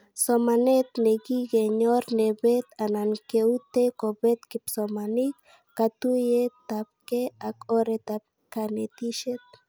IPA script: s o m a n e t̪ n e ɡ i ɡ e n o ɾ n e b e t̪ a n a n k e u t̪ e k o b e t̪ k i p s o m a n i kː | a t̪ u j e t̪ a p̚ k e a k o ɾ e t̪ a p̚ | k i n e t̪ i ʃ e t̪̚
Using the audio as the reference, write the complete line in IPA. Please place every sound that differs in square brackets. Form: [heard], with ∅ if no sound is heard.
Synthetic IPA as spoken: s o m a n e t̪ n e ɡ i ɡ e [ɲ] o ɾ n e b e t̪ a n a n k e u t̪ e k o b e t̪ k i p s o m a n i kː | a t̪ u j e t̪ a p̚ k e a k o ɾ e t̪ a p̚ | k [a] n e t̪ i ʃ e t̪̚